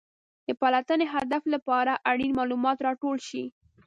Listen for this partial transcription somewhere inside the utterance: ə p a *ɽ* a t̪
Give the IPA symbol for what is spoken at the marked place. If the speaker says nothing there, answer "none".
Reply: l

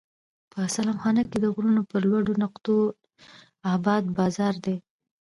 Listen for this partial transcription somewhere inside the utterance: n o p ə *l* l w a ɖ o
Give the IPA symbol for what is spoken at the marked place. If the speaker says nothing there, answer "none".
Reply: ɾ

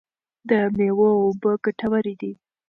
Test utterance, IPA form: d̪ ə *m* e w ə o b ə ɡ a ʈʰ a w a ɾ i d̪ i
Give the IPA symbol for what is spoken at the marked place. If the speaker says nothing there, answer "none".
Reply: m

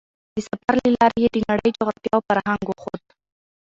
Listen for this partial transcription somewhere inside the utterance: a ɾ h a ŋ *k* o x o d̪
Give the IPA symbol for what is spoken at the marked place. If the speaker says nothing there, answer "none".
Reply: ɡ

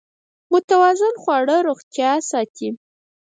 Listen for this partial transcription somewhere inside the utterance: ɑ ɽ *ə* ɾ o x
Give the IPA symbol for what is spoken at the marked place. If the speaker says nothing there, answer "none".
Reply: ə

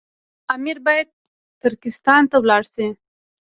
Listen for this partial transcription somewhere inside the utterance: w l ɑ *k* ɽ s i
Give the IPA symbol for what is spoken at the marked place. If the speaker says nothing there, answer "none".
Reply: none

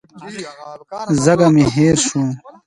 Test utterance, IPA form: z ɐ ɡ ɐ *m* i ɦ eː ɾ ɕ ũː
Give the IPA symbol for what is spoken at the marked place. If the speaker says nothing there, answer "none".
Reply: m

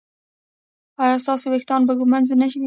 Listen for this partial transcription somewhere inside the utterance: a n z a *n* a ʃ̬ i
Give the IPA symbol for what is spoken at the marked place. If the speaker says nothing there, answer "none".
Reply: n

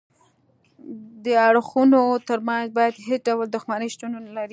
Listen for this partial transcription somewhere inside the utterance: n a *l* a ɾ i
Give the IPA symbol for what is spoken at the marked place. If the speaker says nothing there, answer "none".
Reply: l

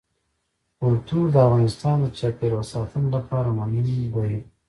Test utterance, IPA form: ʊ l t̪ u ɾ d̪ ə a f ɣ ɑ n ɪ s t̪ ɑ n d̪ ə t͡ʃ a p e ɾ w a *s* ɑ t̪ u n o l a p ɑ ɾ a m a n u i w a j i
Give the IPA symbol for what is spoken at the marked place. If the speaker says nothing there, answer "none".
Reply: s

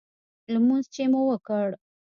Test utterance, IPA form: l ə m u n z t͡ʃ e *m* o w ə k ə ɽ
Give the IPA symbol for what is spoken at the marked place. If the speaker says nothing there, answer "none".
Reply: m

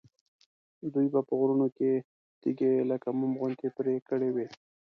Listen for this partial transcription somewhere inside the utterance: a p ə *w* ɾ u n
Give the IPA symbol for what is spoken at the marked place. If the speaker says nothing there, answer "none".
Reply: ɣ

